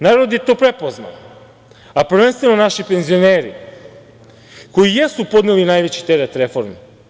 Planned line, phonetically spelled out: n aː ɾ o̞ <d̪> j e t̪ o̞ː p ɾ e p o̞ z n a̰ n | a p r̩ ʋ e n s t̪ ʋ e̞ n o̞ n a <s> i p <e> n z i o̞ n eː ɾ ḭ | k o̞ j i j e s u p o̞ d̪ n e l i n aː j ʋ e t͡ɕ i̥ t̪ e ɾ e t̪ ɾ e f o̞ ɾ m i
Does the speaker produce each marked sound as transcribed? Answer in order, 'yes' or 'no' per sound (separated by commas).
yes, no, yes